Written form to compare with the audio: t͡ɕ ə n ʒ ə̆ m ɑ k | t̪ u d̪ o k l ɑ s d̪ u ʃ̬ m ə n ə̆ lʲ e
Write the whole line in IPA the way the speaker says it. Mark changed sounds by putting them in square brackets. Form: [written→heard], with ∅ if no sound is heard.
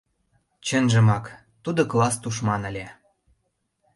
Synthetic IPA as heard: t͡ɕ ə n ʒ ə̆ m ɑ k | t̪ u d̪ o k l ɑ s [d̪→t̪] u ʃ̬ m [ə→ɑ] n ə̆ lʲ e